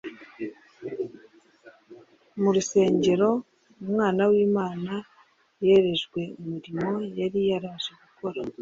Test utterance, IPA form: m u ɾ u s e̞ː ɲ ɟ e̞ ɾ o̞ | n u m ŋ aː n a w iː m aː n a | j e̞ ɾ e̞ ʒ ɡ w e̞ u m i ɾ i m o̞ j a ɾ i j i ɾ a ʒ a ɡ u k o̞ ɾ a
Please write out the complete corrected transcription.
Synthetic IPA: m u ɾ u s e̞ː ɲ ɟ e̞ ɾ o̞ | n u m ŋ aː n a w iː m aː n a | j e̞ ɾ e̞ ʒ ɡ w e̞ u m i ɾ i m o̞ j a ɾ i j a ɾ a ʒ e ɡ u k o̞ ɾ a